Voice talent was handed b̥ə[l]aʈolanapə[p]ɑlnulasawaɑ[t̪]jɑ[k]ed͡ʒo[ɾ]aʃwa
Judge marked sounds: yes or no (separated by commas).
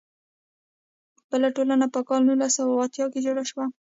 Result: yes, no, yes, yes, no